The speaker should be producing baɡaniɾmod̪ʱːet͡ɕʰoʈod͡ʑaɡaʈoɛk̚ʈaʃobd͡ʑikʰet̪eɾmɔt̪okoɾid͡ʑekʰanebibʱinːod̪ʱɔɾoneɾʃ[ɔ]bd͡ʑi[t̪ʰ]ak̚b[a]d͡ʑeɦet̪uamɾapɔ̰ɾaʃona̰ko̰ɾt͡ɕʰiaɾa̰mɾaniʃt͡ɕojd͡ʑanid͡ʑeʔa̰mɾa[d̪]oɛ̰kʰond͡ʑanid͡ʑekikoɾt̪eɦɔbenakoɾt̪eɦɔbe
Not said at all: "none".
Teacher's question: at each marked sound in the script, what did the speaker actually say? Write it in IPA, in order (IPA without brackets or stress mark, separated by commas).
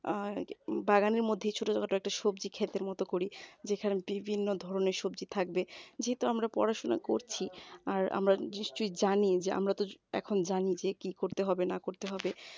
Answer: o, t̪ʰ, e, t̪